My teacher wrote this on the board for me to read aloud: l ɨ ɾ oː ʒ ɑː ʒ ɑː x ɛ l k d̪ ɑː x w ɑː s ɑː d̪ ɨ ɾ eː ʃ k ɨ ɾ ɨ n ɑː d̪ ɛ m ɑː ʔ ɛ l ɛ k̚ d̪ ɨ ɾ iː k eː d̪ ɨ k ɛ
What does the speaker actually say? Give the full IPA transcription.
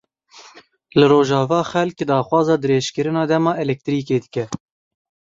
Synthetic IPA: l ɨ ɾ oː ʒ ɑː v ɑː x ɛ l k d̪ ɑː x w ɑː z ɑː d̪ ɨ ɾ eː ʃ k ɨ ɾ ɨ n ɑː d̪ ɛ m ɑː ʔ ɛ l ɛ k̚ t̪ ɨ ɾ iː k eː d̪ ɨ k ɛ